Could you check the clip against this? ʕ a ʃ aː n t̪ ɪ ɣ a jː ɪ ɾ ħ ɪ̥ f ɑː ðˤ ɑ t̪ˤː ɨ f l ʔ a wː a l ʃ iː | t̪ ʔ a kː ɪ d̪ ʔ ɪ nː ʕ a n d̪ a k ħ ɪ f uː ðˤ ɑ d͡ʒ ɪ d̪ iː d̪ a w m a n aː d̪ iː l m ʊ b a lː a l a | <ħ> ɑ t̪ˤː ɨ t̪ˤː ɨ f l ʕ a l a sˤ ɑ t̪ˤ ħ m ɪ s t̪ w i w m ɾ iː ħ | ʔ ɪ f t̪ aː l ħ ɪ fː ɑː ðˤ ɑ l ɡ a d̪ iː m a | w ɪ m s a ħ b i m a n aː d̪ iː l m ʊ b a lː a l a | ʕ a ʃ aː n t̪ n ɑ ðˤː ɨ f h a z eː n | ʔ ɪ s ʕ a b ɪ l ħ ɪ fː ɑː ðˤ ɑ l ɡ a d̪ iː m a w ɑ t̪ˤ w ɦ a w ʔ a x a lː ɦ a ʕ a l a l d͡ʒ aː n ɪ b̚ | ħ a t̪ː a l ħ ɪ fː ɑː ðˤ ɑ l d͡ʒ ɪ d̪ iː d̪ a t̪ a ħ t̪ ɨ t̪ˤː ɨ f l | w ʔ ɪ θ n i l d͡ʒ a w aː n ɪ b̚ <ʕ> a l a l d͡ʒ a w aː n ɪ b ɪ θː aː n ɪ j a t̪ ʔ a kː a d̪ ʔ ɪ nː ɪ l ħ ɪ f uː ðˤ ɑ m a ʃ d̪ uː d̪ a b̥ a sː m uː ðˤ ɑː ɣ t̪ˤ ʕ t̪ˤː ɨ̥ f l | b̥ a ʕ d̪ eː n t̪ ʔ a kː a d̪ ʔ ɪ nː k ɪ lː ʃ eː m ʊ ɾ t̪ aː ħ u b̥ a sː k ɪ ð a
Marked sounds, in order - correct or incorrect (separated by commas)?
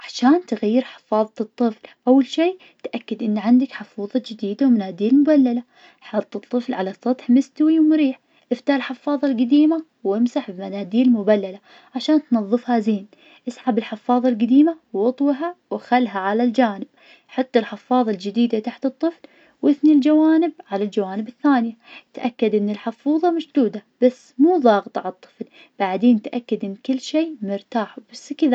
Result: correct, correct